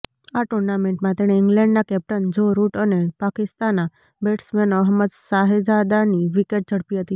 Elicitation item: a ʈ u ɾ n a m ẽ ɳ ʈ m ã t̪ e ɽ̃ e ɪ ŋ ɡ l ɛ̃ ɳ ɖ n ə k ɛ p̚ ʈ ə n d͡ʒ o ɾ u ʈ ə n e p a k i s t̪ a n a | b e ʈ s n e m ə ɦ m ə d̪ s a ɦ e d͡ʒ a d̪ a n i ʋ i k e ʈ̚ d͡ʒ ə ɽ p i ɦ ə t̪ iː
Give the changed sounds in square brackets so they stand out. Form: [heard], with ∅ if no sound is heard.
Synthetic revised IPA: a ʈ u ɾ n a m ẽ ɳ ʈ m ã t̪ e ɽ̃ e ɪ ŋ ɡ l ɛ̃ ɳ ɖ n [a] k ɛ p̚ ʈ ə n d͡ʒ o ɾ u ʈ ə n e p a k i s t̪ a n a | b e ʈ s [m] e [n] ə ɦ m ə d̪ s a ɦ e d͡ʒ a d̪ a n i ʋ i k e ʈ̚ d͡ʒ ə ɽ p i ɦ ə t̪ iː